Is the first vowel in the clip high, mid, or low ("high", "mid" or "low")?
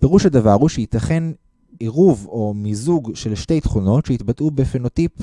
mid